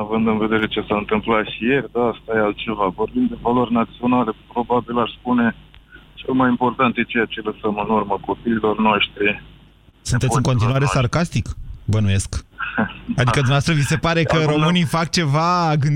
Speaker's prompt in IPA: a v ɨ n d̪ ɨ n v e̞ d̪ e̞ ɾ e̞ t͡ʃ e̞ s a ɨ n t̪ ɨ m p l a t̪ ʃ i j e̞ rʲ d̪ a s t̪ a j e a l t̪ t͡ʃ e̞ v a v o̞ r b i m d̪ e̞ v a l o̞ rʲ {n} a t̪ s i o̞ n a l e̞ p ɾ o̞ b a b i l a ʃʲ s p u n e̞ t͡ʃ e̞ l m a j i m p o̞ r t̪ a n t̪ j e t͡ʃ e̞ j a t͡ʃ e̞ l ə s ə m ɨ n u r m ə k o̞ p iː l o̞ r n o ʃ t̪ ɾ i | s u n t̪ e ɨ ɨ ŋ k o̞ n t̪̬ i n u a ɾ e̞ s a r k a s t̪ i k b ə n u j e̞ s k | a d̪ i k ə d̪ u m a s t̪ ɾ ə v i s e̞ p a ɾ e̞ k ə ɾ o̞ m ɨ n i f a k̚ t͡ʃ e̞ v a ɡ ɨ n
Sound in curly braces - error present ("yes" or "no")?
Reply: no